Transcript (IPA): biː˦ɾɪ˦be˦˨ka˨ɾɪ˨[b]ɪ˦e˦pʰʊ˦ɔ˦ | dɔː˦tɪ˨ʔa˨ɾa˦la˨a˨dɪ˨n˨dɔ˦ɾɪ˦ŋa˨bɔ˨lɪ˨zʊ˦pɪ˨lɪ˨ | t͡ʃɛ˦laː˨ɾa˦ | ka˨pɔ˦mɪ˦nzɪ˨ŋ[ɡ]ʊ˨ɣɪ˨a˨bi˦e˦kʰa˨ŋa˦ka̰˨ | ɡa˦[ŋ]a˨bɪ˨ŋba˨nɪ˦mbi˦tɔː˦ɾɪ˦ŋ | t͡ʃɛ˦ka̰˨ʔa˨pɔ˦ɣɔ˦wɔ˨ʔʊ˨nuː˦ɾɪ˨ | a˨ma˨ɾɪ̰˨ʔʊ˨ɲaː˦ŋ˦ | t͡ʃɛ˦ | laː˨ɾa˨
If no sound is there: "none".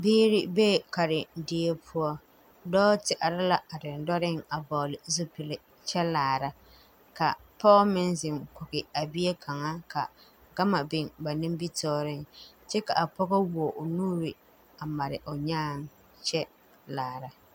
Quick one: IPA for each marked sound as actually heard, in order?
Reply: d, k, m

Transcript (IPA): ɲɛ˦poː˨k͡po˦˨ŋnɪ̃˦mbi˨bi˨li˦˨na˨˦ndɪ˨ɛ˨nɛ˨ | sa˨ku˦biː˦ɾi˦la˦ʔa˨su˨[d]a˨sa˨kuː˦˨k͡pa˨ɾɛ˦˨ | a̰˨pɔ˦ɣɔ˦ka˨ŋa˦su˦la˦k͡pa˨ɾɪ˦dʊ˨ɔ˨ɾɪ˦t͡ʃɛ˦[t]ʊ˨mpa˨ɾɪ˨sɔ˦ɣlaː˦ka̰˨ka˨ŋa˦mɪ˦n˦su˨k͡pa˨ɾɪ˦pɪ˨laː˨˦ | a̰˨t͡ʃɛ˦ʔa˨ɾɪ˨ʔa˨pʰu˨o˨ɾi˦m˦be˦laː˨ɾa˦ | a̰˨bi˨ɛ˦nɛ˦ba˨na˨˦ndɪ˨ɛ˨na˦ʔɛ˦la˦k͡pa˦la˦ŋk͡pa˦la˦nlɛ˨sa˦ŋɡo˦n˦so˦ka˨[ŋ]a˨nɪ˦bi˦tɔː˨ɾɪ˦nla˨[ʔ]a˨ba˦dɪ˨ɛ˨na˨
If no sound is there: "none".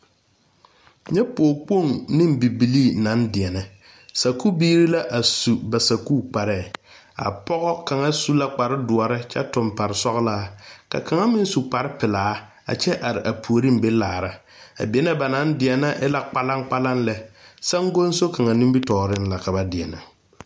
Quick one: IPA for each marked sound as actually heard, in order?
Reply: b, t, ŋ, k

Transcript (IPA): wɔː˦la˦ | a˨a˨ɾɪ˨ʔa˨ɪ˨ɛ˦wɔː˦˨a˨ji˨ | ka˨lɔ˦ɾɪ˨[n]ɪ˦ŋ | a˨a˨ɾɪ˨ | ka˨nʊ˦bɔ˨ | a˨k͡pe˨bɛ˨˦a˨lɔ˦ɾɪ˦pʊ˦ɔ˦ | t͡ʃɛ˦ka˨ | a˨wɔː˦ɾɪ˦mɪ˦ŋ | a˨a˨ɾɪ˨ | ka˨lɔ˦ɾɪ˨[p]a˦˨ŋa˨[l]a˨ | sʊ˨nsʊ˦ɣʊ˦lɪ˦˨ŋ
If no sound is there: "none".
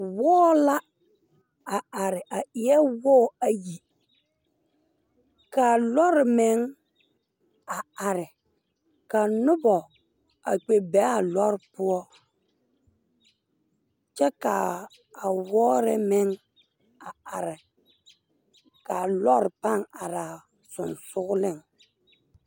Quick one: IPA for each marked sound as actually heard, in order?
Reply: m, p, ɾ

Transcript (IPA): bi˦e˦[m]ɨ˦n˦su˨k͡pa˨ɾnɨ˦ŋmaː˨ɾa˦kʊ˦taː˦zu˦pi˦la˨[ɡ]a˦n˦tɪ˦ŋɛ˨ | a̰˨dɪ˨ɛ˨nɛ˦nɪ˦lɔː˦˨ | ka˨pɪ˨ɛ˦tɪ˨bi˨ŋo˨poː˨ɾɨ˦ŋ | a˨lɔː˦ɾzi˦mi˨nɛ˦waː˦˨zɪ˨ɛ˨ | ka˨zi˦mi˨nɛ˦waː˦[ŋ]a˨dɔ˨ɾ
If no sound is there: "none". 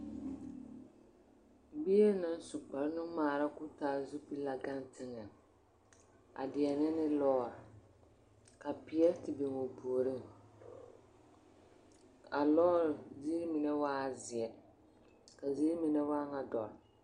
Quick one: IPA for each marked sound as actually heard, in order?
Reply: n, ɡ, ŋ

